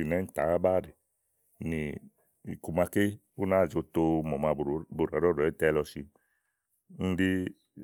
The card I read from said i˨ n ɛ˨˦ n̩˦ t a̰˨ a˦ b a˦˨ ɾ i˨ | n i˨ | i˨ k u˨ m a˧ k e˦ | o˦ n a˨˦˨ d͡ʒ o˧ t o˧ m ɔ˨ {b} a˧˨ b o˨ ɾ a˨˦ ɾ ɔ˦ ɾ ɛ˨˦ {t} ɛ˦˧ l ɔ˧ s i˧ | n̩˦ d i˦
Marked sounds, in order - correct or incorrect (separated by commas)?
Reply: incorrect, correct